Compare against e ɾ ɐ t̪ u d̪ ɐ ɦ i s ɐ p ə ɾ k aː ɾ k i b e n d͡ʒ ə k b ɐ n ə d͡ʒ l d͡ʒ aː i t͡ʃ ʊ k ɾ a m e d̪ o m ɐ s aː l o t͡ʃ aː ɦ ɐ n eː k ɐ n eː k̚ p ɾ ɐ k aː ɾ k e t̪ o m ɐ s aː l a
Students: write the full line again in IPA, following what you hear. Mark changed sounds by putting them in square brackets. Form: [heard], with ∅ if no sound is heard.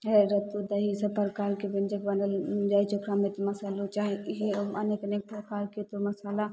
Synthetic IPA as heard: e ɾ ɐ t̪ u d̪ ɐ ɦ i s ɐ p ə ɾ k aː ɾ k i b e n d͡ʒ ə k b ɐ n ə [∅] l d͡ʒ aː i t͡ʃ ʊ k ɾ a m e [t̪] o m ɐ s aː l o t͡ʃ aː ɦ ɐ n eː k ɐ n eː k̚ p ɾ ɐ k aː ɾ k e t̪ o m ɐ s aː l a